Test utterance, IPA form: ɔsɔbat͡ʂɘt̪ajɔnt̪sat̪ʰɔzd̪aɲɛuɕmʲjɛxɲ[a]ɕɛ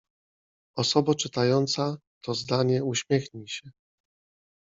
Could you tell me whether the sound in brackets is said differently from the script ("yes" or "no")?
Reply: yes